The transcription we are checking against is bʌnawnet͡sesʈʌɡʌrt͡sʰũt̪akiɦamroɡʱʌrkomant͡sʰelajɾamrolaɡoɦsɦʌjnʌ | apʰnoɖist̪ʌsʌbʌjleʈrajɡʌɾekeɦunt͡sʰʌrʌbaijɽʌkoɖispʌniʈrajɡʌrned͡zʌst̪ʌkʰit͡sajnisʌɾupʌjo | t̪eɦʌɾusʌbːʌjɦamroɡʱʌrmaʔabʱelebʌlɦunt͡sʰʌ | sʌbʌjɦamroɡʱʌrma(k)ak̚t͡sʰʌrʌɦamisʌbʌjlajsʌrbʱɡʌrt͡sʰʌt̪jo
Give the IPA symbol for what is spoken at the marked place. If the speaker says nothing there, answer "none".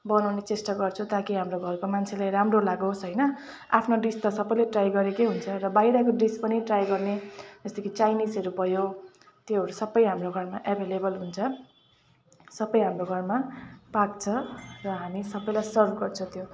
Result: p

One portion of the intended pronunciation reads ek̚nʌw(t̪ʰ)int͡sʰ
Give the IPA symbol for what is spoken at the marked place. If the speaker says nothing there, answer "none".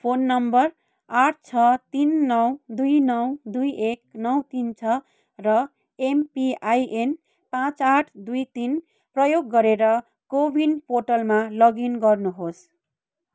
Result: t̪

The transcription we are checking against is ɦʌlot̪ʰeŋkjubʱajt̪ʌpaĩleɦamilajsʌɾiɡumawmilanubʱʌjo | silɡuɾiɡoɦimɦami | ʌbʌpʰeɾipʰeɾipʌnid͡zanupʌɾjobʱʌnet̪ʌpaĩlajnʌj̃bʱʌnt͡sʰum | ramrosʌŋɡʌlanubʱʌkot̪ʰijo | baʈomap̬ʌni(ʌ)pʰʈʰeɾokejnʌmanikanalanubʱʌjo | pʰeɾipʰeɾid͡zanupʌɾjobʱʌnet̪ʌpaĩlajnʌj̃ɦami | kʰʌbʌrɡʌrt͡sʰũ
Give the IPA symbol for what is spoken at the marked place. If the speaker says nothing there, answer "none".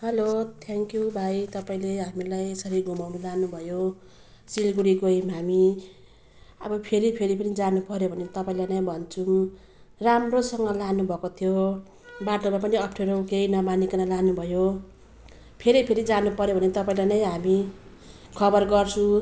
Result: ʌ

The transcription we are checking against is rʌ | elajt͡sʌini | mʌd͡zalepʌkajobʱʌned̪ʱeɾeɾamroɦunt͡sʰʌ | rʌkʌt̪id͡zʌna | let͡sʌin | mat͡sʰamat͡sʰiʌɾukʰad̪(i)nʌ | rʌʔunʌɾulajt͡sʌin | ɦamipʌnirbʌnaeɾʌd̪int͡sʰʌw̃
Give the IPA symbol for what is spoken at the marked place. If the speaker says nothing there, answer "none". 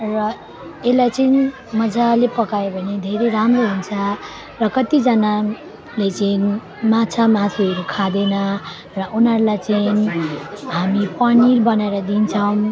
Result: e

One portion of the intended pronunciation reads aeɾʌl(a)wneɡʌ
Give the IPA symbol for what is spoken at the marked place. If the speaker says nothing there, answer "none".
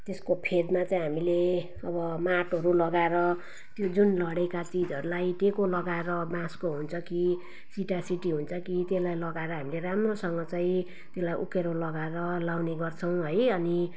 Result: a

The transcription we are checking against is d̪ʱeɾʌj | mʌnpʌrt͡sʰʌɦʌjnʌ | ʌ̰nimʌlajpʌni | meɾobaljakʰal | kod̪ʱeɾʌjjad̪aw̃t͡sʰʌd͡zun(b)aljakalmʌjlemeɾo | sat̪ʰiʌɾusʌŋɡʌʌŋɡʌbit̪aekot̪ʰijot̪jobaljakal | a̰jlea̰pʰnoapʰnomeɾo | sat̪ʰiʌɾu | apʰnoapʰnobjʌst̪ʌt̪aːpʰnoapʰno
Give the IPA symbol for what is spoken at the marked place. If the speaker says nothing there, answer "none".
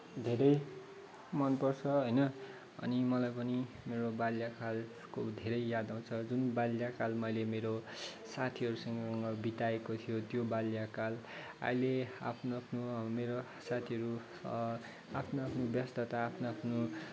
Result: b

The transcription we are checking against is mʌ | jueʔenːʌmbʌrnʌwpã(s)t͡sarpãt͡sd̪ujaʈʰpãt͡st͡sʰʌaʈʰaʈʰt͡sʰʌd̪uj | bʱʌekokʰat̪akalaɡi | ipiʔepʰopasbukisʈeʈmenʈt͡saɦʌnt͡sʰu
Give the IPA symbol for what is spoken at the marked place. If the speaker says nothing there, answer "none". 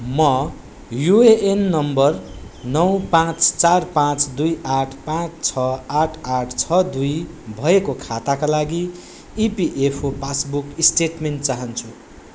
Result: t͡s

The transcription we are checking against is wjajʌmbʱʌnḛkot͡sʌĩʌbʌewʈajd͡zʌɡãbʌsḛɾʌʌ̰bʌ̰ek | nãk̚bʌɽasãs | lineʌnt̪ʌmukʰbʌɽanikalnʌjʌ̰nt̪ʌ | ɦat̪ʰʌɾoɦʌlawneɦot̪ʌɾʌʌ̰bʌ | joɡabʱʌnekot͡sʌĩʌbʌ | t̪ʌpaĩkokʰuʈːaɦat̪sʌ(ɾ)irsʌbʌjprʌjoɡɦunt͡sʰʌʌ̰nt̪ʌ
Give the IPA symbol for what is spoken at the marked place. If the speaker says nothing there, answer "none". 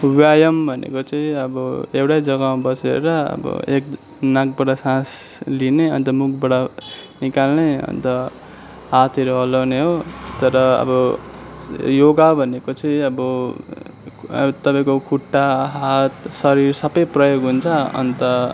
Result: ɾ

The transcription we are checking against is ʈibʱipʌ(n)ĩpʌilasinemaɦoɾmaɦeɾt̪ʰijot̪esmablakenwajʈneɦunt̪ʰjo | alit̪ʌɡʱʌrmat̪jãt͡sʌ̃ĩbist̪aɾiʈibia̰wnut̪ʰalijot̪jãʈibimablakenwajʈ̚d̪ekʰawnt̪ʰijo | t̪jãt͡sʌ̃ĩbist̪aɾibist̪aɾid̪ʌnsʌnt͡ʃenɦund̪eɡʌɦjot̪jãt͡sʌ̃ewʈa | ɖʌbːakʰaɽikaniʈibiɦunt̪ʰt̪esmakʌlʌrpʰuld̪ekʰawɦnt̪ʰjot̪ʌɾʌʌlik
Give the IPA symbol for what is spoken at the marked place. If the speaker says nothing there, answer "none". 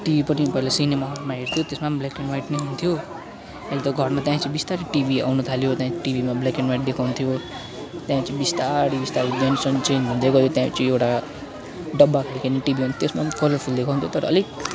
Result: n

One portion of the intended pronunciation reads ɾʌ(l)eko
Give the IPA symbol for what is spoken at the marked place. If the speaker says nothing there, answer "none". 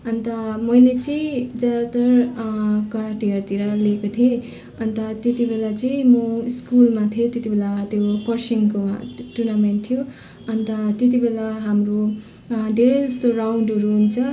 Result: l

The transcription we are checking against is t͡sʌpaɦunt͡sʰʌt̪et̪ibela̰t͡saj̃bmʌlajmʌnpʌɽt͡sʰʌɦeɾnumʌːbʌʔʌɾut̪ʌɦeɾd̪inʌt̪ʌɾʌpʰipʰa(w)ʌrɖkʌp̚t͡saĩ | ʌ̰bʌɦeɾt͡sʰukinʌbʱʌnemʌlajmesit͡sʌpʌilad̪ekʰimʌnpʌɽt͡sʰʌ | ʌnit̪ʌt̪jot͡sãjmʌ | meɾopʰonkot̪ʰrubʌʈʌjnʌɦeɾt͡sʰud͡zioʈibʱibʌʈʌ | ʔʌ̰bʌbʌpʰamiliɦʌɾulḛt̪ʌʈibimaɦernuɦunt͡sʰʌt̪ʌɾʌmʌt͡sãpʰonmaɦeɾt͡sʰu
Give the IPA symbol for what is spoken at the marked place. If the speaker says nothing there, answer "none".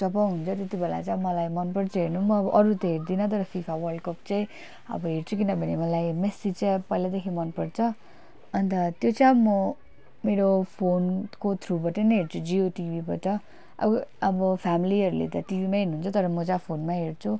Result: w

